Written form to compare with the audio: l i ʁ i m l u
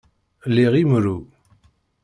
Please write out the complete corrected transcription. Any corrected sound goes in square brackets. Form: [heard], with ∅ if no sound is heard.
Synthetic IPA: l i ʁ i m [ɾ] u